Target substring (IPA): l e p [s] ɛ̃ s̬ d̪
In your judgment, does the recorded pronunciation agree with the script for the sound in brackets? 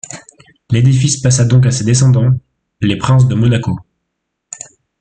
no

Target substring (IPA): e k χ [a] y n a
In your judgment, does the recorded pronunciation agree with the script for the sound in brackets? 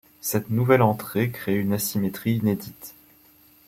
no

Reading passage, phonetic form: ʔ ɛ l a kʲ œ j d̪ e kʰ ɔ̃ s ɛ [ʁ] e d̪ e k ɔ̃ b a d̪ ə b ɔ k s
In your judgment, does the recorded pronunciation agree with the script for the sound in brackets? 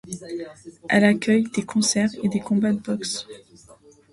yes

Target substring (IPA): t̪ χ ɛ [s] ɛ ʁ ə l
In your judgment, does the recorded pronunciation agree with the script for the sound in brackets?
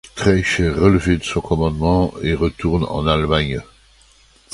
no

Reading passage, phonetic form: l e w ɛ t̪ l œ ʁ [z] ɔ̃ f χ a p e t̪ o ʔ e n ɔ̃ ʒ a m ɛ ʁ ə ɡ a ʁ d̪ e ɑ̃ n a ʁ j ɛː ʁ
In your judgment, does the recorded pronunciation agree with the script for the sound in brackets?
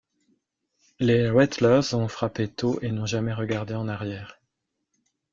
yes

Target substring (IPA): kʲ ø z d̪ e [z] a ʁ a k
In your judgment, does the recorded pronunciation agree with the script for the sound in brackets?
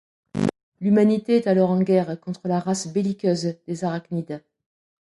yes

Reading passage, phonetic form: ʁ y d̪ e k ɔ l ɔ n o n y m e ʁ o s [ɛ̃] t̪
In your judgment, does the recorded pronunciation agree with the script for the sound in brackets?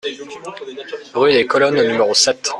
no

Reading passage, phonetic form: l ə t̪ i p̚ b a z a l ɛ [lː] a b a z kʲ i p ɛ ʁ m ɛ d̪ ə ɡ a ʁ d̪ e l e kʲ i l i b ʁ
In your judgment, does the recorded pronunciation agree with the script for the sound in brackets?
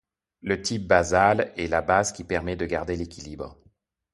no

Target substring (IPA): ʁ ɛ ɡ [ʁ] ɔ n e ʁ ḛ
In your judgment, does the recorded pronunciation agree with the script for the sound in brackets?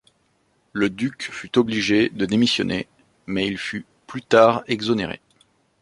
no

